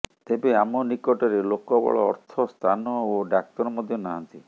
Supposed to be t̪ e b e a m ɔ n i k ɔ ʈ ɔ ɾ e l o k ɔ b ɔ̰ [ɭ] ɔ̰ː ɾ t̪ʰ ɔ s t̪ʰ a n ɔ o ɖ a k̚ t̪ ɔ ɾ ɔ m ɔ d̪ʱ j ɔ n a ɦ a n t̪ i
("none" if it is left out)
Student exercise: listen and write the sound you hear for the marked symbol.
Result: ɭ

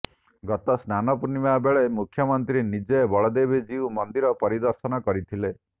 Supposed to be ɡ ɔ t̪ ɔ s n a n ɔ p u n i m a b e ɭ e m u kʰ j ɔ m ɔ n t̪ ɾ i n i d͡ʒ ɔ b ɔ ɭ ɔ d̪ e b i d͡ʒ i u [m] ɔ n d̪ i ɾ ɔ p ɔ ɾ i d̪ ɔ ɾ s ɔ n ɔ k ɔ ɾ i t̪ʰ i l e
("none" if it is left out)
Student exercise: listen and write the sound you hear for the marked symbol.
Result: m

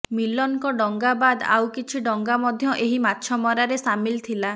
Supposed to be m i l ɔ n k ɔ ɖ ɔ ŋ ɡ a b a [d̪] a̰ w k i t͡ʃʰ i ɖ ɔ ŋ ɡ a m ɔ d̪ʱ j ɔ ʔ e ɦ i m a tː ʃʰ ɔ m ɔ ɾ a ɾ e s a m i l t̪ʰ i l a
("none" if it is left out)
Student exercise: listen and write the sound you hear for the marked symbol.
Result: d̪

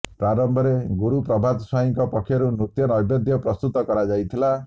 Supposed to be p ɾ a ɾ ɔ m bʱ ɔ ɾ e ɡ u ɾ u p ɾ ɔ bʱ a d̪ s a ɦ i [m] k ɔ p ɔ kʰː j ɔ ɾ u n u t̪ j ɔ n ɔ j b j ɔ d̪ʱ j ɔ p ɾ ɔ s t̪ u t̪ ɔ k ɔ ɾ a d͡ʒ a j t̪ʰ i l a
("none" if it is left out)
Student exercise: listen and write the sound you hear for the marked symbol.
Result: ŋ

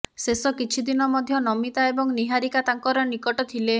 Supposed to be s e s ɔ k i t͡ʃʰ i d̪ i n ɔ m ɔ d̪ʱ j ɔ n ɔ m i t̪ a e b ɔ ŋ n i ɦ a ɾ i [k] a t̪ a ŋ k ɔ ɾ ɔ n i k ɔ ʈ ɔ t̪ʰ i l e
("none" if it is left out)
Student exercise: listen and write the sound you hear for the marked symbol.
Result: k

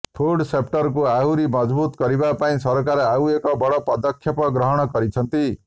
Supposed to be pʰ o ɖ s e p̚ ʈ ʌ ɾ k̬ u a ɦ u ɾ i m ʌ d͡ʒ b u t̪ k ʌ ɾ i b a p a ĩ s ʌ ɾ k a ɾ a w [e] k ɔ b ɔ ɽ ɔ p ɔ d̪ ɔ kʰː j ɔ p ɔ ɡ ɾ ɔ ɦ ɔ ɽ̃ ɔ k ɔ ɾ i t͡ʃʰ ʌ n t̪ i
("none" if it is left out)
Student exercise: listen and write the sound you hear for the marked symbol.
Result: e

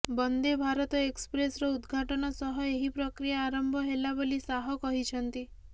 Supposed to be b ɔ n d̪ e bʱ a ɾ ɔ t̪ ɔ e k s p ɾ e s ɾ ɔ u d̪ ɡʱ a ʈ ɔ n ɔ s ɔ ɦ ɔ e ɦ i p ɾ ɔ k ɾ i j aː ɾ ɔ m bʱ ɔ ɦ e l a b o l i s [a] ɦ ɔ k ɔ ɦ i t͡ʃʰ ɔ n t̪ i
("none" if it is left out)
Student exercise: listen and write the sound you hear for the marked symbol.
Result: a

